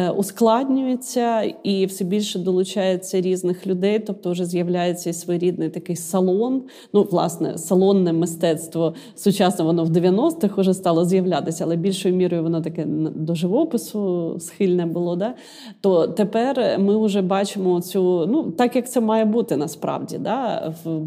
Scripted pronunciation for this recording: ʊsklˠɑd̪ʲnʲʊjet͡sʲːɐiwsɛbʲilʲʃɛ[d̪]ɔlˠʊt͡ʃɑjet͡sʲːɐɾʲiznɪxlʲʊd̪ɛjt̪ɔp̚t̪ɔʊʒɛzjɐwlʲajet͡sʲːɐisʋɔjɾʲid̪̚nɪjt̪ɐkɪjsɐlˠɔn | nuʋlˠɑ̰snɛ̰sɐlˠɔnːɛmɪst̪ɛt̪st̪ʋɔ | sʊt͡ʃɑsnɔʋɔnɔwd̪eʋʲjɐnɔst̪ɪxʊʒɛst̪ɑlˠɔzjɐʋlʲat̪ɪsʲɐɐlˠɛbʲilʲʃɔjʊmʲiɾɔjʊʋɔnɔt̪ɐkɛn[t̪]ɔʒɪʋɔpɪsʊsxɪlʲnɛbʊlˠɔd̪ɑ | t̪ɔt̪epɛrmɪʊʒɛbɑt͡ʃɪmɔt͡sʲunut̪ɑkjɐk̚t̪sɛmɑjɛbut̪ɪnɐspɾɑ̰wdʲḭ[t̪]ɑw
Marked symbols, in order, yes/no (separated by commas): yes, no, no